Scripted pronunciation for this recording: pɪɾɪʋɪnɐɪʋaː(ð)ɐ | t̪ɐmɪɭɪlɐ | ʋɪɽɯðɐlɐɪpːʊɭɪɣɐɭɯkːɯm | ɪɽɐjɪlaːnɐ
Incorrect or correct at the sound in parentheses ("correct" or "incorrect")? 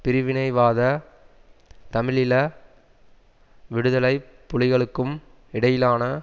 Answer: correct